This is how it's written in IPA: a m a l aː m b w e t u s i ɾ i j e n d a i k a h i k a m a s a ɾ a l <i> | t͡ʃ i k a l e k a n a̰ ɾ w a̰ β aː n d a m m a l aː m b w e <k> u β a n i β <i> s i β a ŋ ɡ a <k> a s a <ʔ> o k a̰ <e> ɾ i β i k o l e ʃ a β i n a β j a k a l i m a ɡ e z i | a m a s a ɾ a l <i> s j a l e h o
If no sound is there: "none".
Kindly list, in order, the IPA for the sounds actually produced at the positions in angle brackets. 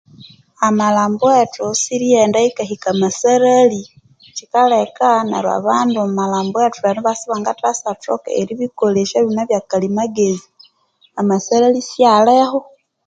i, t, a, t, t, e, i

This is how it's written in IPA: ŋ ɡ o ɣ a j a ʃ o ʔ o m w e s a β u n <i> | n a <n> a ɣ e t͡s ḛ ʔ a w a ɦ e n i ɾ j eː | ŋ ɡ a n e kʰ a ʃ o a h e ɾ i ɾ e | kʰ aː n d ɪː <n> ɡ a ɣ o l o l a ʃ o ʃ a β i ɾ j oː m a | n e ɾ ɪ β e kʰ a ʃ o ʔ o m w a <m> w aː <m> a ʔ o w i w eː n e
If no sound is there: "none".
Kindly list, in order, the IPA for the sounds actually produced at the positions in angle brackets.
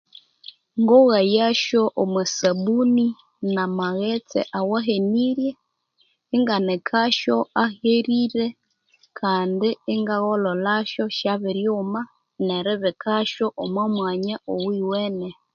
i, m, ŋ, m, ɲ

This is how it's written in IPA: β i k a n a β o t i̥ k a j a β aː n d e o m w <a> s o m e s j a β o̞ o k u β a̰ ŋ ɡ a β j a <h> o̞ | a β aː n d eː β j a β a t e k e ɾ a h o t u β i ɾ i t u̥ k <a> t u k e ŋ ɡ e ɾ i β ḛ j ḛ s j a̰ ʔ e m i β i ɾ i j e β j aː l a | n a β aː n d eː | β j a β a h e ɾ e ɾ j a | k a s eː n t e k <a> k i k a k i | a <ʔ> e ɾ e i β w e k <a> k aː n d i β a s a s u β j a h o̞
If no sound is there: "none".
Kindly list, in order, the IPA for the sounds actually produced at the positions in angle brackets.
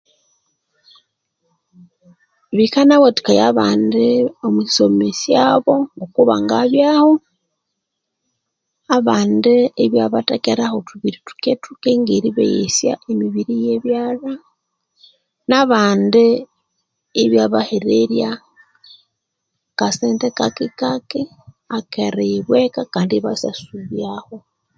i, h, e, a, k, a

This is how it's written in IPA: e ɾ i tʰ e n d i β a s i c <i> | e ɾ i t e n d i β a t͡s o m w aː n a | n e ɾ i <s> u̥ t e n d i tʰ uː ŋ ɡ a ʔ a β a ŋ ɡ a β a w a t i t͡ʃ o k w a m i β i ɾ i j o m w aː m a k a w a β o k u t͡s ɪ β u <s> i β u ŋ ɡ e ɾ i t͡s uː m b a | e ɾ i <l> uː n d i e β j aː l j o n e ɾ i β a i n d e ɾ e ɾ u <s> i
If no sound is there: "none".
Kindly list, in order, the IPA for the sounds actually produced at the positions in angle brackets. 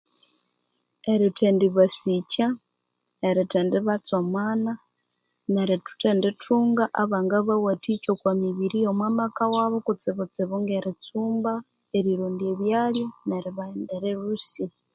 a, t, t͡s, ɾ, s

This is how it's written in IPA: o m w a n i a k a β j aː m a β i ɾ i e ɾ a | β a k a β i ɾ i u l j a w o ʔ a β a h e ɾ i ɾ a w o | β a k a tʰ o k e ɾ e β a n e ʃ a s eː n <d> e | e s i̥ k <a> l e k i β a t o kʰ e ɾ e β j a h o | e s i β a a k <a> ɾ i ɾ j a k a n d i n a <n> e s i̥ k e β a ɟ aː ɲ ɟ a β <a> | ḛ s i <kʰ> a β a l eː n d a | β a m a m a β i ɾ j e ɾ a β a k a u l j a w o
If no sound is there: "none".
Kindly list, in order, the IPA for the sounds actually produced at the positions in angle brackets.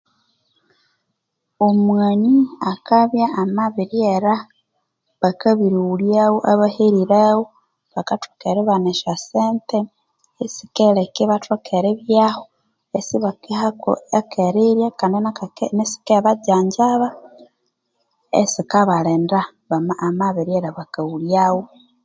t, e, e, n, a, k

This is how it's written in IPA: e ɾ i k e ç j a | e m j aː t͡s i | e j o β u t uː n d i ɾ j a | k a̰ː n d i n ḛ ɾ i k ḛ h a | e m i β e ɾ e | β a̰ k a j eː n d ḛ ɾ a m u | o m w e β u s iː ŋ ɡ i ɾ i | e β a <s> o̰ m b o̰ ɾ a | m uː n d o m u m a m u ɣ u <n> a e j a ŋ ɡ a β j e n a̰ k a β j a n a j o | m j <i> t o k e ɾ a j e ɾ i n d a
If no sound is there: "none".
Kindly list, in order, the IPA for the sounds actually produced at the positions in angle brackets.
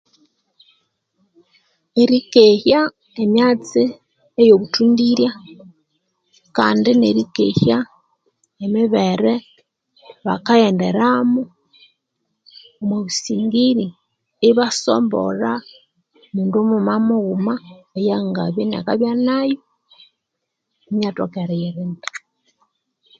s, m, a

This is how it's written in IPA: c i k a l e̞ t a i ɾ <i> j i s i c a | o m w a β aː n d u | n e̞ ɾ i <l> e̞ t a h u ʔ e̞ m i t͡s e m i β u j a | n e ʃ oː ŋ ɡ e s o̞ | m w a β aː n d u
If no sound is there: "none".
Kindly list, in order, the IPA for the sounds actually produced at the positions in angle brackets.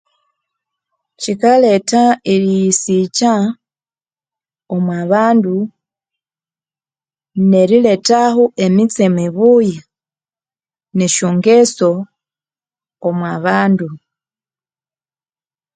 i, l

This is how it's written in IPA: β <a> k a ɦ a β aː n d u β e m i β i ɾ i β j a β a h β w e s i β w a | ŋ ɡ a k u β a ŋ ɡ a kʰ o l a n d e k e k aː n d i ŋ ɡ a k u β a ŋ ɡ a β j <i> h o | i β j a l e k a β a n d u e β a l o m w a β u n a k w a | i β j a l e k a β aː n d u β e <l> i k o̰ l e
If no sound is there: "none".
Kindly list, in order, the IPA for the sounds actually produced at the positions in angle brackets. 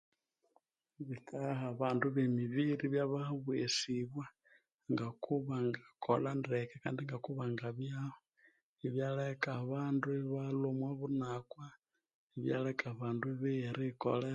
i, a, ɾ

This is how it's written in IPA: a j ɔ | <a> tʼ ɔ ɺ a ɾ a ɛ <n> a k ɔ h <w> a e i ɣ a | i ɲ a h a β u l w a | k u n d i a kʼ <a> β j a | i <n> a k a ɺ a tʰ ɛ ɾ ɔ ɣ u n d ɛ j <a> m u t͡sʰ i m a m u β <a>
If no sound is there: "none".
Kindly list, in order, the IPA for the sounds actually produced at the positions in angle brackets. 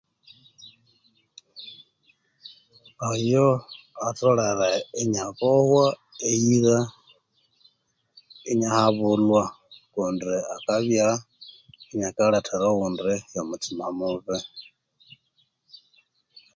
a, ɲ, w, a, ɲ, a, ɛ

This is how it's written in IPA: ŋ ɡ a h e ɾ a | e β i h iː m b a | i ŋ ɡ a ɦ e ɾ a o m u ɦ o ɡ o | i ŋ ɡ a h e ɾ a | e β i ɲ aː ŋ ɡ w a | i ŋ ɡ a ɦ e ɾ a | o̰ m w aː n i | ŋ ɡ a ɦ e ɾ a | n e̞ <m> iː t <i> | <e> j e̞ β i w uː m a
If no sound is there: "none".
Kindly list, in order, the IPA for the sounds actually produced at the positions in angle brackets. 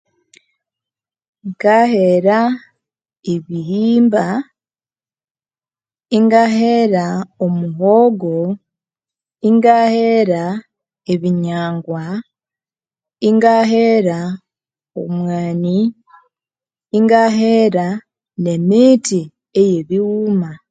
m, i, e

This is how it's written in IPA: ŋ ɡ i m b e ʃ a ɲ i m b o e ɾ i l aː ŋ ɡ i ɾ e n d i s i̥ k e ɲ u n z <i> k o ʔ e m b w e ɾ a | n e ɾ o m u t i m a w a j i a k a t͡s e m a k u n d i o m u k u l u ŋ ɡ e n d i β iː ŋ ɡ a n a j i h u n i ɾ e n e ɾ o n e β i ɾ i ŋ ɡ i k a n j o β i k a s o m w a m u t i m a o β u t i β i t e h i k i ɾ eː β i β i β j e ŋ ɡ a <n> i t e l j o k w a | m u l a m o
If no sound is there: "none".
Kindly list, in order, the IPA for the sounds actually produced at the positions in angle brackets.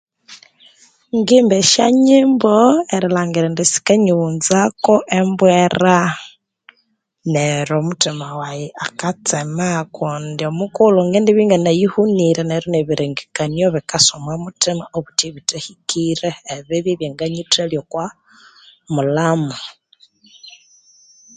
a, ɲ

